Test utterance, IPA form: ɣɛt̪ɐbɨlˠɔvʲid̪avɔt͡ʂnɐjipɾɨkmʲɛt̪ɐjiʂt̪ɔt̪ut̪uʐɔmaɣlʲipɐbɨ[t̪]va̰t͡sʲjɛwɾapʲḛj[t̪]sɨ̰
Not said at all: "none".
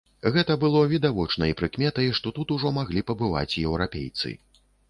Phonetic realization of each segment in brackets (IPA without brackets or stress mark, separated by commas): none, t̪